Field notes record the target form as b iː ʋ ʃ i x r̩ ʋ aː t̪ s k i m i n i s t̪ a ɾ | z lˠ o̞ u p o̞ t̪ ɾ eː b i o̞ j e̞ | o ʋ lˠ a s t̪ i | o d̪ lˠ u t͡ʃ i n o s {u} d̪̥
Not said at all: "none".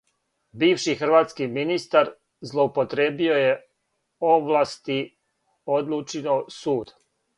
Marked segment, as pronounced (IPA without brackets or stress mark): uː